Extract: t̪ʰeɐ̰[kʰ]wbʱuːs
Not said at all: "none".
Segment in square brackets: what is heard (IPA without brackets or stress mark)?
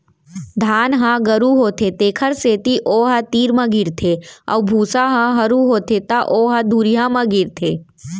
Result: none